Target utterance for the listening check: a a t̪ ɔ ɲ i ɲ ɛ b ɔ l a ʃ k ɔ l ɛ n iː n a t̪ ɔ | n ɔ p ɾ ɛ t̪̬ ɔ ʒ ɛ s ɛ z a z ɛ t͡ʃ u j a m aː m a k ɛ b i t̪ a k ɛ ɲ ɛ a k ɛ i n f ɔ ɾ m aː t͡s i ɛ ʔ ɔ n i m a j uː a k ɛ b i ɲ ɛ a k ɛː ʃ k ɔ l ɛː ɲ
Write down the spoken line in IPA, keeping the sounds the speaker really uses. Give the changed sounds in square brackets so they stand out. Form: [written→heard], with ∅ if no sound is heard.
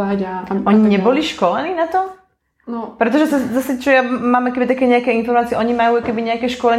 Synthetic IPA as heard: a a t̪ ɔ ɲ i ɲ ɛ b ɔ l [a→i] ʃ k ɔ l ɛ n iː n a t̪ ɔ | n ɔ p ɾ ɛ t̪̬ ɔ ʒ ɛ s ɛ z a [z→s] ɛ t͡ʃ [u→ɔ] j a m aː m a k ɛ b i t̪ a k ɛ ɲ ɛ a k ɛ i n f ɔ ɾ m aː t͡s i ɛ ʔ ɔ [n→ɲ] i m a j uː a k ɛ b i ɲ ɛ a k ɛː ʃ k ɔ l [ɛː→ɛ] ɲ